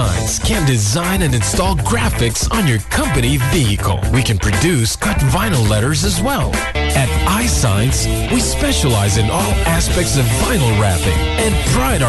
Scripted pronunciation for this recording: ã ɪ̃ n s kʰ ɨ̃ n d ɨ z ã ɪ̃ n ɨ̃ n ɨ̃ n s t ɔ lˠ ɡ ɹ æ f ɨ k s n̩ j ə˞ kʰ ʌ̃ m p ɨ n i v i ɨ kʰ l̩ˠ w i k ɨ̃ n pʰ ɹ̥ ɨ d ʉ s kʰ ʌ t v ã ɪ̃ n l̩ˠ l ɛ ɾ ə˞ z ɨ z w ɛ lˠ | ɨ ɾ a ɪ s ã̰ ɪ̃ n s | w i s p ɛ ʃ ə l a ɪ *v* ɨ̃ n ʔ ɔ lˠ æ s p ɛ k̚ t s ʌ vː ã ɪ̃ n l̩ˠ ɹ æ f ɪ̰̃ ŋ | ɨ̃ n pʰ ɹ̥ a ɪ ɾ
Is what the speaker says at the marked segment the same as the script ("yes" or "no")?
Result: no